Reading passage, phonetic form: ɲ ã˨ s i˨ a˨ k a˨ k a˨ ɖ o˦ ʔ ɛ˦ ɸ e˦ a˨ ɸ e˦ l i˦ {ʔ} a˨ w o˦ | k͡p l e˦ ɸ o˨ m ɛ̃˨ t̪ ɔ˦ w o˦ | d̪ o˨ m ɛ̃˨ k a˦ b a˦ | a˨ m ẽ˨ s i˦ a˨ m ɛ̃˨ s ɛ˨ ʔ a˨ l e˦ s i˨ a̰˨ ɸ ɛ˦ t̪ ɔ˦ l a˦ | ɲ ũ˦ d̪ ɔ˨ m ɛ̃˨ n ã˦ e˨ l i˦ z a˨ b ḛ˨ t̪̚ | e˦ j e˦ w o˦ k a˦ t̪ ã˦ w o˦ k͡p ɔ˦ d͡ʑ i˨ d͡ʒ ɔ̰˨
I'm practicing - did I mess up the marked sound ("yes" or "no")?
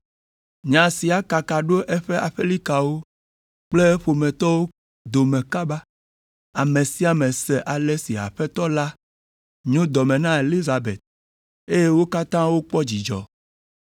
yes